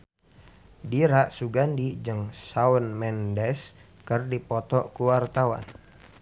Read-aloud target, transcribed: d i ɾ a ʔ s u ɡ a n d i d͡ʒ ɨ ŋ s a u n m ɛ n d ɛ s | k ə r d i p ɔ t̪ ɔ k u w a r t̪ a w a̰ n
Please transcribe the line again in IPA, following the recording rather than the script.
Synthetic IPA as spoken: d i ɾ a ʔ s u ɡ a n d i d͡ʒ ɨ ŋ s a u n m ɛ n d ɛ s | k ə r d i p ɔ t̪ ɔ k u w a r t̪ a w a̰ n